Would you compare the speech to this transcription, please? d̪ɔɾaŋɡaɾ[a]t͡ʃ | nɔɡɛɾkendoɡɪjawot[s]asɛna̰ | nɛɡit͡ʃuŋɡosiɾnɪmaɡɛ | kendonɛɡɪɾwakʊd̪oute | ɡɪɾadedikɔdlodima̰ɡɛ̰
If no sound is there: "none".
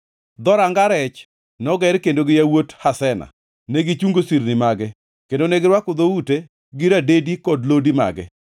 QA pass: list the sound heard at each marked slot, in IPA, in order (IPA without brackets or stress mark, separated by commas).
ɛ, h